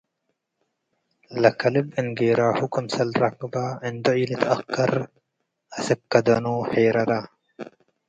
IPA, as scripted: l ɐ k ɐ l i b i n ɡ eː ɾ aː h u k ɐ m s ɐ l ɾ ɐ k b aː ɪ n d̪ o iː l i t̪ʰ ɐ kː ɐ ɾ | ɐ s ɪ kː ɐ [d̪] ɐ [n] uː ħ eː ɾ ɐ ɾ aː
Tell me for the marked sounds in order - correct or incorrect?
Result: correct, correct

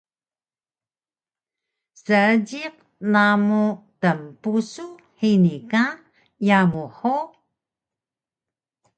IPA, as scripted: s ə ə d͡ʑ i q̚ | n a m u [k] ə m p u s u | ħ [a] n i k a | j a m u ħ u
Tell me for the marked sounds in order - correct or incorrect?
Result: incorrect: t, incorrect: i

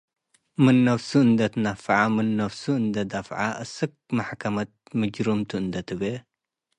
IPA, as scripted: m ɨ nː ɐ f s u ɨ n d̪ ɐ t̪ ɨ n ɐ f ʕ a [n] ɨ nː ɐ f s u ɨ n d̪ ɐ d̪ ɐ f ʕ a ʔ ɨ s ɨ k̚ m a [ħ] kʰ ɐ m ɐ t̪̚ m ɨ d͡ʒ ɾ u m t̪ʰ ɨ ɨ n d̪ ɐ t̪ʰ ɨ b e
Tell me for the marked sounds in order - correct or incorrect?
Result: incorrect: m, correct

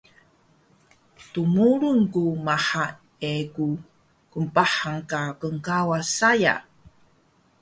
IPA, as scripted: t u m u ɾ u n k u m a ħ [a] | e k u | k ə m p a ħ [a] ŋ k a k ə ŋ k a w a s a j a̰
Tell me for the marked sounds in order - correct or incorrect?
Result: correct, correct

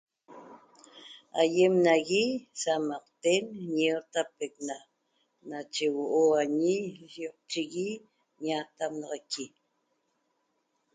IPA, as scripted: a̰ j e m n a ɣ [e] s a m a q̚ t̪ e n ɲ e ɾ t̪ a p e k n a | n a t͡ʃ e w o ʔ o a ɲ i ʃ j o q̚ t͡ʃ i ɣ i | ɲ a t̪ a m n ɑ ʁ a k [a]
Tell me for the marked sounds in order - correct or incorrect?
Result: incorrect: i, incorrect: i

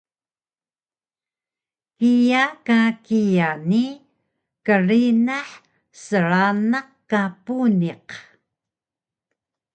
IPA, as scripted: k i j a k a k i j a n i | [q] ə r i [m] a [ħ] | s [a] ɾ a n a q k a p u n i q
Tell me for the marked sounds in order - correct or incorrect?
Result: incorrect: k, incorrect: n, correct, incorrect: ə

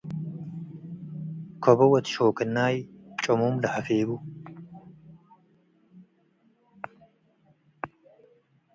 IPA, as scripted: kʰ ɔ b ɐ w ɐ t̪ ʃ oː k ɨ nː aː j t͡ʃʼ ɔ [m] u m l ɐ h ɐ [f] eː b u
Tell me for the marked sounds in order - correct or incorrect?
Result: correct, correct

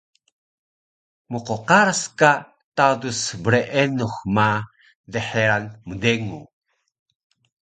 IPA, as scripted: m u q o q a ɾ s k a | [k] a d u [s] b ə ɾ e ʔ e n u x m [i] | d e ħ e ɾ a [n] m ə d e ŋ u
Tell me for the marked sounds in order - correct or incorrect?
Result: incorrect: t, correct, incorrect: a, correct

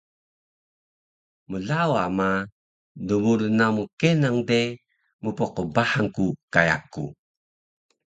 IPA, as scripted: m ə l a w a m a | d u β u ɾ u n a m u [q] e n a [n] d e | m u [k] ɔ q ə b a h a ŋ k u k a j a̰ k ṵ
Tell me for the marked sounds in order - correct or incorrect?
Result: incorrect: k, incorrect: ŋ, incorrect: p

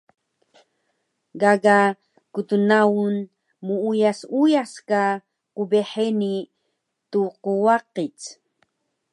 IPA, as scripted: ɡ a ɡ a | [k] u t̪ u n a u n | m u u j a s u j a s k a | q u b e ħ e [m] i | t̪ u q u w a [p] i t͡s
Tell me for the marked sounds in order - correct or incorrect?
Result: correct, incorrect: n, incorrect: q

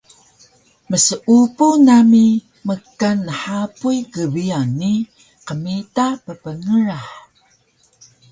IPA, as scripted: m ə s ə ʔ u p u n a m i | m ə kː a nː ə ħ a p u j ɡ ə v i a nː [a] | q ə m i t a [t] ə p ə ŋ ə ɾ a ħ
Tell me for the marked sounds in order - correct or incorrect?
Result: incorrect: i, incorrect: p

